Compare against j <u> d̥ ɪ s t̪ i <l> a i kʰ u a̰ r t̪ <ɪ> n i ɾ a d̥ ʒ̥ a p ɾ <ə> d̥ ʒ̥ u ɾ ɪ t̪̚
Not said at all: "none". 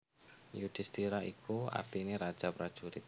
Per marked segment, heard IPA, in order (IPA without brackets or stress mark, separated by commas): u, ɾ, i, a